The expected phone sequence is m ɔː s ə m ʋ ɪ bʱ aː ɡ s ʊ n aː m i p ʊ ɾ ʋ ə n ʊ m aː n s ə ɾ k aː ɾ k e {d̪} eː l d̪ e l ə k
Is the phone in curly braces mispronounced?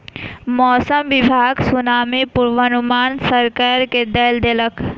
no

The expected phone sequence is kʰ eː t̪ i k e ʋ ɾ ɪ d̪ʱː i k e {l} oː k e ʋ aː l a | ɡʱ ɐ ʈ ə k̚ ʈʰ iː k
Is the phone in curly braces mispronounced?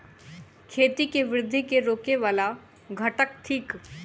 yes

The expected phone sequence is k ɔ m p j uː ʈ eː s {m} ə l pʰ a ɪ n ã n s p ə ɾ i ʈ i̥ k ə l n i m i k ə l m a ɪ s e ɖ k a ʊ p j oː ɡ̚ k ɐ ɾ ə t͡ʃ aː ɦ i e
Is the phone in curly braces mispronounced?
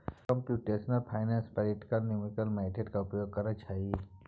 yes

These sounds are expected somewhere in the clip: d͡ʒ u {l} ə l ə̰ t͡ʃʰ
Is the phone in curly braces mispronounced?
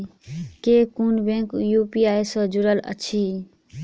yes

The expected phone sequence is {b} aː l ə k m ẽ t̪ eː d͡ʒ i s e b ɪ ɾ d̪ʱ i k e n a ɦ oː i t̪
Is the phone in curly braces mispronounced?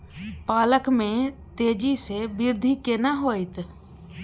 yes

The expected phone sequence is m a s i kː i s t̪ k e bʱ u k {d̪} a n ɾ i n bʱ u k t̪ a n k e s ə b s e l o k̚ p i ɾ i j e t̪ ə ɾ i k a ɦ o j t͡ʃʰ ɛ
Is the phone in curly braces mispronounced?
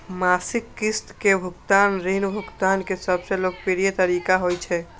yes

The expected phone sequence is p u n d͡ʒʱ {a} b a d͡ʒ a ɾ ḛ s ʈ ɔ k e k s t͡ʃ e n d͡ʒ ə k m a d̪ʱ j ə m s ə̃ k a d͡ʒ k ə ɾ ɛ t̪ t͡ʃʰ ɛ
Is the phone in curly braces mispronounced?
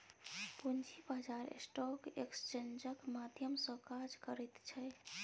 yes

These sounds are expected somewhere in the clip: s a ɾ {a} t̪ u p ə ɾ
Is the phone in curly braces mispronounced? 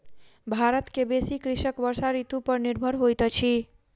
yes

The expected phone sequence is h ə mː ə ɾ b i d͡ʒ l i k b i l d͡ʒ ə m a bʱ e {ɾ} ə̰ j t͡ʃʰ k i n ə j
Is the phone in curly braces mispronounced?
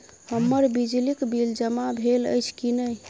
yes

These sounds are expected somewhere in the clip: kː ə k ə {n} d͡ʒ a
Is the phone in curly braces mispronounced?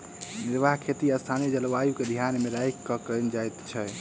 no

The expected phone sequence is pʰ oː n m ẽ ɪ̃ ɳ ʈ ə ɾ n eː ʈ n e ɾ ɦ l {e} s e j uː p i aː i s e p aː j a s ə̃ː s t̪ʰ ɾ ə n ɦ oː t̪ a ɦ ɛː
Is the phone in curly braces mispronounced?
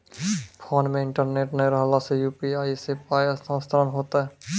yes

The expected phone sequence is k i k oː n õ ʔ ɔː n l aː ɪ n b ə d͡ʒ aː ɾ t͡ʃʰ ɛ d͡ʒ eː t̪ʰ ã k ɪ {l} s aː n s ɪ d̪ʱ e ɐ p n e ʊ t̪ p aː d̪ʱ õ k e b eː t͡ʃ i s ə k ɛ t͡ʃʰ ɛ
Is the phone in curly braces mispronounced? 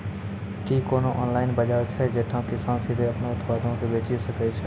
yes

